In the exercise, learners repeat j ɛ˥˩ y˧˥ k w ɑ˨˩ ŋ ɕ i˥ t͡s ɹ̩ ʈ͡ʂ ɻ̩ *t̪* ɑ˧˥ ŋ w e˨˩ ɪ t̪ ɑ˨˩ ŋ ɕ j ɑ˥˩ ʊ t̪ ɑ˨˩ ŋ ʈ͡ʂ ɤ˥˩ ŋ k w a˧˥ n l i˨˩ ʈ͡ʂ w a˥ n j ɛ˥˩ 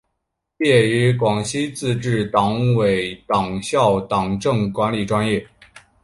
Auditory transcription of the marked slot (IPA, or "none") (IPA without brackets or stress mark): t̪